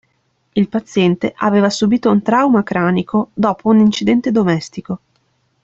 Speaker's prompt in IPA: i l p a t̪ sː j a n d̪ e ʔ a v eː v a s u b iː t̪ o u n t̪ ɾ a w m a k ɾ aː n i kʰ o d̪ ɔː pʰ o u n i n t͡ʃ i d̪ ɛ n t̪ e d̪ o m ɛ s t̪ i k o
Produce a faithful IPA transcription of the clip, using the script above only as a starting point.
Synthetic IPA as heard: i l p a t̪ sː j ɛ n t̪ e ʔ a v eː v a s u b iː t̪ o u n t̪ ɾ a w m a k ɾ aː n i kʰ o d̪ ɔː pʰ o u n i n t͡ʃ i d̪ ɛ n t̪ e d̪ o m ɛ s t̪ i k o